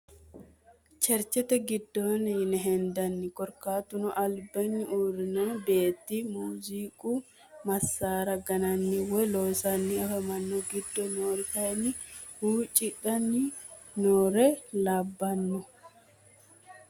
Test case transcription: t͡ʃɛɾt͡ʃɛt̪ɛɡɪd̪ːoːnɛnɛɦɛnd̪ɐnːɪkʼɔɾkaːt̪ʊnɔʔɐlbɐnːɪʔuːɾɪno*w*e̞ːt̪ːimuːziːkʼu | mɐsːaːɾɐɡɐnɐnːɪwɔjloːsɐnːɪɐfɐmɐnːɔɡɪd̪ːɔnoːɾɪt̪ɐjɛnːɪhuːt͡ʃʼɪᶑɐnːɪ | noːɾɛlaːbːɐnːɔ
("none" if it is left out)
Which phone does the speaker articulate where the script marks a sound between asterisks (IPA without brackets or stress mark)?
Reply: b